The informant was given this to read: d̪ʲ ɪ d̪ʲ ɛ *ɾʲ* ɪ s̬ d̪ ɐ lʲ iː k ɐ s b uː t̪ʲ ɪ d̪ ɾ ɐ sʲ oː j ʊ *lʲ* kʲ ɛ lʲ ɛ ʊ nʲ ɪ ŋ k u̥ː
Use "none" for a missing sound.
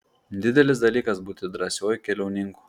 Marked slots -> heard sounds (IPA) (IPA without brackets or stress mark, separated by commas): lʲ, none